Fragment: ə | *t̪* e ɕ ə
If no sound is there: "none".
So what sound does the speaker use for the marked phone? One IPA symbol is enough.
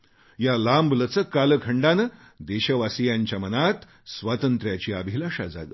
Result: d̪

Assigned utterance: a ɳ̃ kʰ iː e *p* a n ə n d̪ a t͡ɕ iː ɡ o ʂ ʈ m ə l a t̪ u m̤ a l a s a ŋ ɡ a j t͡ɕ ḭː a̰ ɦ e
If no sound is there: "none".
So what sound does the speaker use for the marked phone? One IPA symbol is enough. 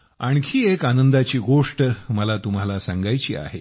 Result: k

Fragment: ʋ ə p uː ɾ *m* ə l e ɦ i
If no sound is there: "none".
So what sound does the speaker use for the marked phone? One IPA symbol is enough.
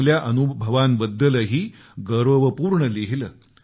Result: ɳ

